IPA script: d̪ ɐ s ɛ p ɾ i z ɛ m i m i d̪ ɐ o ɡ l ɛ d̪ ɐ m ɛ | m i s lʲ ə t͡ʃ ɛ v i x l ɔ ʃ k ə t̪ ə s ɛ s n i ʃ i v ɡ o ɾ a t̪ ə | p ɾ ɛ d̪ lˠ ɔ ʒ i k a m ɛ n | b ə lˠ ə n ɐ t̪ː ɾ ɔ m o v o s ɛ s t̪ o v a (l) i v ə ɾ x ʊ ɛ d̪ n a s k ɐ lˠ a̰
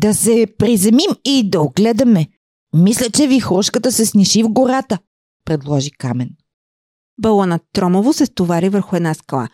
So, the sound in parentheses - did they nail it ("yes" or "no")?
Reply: no